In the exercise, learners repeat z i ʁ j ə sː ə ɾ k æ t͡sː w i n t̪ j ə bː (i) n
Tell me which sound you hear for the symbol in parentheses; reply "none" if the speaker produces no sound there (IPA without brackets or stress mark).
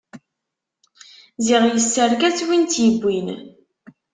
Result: i